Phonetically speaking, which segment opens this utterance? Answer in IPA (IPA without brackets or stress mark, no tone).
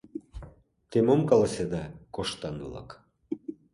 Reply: t̪